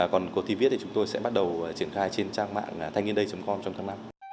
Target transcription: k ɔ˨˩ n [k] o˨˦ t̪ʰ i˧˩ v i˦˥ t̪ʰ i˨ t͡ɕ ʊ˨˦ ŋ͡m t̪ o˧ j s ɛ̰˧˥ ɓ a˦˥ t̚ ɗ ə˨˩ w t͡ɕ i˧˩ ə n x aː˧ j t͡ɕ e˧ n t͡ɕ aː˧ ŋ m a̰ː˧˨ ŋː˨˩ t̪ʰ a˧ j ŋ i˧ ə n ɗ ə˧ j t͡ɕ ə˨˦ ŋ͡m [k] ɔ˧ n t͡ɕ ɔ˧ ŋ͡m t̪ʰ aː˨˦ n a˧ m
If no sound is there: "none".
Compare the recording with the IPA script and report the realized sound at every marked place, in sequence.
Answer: k, k

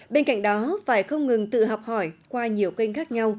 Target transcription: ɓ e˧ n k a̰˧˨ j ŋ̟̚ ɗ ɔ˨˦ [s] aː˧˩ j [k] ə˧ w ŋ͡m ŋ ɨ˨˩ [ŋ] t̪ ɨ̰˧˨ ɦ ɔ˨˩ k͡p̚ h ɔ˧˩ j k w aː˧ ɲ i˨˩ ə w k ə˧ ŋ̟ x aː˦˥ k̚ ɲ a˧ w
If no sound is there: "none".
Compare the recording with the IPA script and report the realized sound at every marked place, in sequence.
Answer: f, x, ŋ

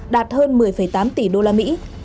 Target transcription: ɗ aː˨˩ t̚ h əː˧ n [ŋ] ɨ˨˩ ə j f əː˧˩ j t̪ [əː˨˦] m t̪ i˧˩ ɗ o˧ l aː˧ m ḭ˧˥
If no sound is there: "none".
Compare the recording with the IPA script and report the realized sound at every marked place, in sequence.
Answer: m, aː˨˦

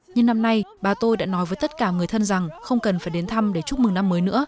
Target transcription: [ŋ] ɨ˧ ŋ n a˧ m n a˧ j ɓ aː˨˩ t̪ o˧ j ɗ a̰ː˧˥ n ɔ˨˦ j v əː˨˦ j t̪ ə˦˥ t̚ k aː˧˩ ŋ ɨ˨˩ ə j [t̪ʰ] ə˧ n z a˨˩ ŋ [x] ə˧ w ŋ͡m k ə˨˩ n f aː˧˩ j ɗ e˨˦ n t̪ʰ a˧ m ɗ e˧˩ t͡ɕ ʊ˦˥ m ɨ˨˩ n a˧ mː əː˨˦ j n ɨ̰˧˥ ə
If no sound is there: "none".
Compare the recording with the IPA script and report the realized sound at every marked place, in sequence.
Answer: ɲ, t̪ʰ, x

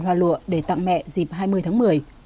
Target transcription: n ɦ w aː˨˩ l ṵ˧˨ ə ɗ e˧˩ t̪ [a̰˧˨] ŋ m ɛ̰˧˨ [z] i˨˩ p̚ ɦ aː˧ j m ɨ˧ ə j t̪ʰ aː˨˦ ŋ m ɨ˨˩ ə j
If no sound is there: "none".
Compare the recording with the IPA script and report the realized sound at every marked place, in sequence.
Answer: a̰˧˨, z

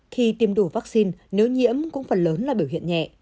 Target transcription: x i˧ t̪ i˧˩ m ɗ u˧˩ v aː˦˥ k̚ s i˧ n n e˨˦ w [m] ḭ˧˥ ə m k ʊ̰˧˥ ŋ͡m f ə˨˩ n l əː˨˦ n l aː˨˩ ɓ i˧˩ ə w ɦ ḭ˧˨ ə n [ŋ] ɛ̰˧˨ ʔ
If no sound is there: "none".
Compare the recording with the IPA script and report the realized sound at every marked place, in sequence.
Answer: ɲ, ɲ

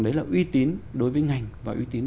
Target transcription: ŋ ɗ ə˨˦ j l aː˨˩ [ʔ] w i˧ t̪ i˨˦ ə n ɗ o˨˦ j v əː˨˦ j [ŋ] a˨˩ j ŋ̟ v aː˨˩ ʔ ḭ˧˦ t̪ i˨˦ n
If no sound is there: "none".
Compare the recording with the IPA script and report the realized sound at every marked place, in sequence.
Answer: ʔ, ŋ

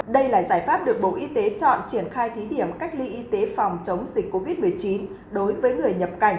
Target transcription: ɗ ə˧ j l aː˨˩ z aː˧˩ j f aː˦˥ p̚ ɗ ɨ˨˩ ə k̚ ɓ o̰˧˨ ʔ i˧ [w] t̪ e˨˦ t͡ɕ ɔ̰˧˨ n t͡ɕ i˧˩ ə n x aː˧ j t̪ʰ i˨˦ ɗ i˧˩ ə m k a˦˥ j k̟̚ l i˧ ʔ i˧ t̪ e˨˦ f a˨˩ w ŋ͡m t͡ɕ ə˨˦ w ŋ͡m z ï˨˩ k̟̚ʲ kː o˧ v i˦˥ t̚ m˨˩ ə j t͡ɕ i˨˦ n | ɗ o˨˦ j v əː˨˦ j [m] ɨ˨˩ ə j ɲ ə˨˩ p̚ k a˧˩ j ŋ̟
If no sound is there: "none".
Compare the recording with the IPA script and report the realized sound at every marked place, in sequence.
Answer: none, ŋ

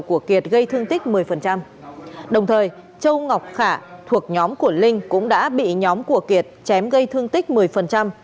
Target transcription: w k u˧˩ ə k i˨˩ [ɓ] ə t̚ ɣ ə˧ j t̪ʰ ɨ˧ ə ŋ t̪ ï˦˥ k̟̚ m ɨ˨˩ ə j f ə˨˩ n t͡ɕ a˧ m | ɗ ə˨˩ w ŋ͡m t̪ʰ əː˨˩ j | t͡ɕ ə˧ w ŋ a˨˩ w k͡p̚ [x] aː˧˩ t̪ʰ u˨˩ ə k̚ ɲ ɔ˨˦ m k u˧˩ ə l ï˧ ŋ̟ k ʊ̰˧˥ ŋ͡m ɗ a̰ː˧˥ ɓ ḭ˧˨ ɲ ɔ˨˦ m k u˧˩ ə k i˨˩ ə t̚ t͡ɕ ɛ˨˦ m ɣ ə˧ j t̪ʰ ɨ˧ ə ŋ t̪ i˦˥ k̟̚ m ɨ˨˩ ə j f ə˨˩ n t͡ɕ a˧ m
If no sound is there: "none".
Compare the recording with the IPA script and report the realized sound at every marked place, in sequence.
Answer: none, x

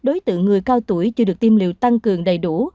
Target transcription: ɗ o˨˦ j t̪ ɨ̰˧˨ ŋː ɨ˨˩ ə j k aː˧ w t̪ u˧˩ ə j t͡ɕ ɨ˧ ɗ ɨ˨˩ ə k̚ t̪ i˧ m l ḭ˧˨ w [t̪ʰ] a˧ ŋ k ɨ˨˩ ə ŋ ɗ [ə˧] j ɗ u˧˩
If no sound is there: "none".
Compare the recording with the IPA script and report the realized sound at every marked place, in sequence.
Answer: t̪, ə˨˩

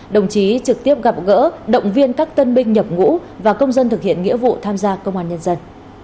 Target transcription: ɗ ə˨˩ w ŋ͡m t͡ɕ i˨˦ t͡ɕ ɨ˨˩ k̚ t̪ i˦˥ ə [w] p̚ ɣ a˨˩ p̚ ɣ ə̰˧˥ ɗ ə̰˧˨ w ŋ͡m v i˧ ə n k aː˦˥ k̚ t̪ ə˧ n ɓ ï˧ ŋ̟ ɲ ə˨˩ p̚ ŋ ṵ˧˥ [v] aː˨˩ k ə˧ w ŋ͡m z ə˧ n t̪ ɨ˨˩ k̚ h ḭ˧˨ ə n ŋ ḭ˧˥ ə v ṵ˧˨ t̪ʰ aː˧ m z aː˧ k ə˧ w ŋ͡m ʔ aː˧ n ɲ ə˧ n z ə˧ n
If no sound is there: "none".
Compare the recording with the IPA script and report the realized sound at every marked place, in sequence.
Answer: none, v

